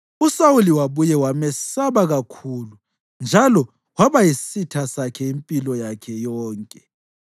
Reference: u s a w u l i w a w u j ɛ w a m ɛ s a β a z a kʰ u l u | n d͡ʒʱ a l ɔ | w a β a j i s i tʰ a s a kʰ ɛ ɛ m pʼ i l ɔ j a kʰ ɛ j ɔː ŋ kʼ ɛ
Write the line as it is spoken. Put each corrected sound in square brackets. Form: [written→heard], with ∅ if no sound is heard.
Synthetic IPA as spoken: u s a w u l i w a [w→β] u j ɛ w a m ɛ s a β a [z→ɣ] a kʰ u l u | n d͡ʒʱ a l ɔ | w a β a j i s i tʰ a s a kʰ ɛ [ɛ→i] m pʼ i l ɔ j a kʰ ɛ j ɔː ŋ kʼ ɛ